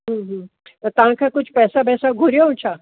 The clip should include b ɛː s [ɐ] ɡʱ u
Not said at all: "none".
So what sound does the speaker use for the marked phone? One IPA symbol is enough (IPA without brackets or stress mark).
a